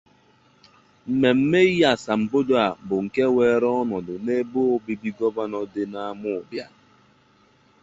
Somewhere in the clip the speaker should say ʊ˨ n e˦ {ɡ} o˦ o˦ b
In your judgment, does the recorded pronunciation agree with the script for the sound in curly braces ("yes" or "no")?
no